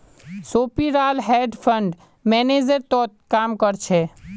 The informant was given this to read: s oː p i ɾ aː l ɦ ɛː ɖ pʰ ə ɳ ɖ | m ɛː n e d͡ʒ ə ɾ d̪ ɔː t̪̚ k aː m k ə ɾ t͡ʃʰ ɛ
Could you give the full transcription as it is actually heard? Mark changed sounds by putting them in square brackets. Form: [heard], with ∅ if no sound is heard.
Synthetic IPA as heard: s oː p i ɾ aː l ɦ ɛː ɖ pʰ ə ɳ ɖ | m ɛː n e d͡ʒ ə ɾ [t̪] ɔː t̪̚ k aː m k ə ɾ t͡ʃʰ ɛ